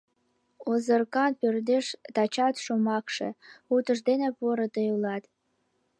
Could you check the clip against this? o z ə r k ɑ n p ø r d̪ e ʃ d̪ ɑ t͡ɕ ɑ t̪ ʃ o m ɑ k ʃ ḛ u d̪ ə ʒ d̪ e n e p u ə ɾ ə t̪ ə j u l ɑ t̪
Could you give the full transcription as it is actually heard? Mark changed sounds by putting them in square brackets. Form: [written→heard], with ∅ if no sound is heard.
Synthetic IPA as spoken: o z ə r k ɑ n p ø r d̪ e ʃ [d̪→t̪] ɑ t͡ɕ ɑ t̪ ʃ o m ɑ k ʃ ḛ u [d̪→t̪] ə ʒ d̪ e n e p u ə ɾ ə t̪ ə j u l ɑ t̪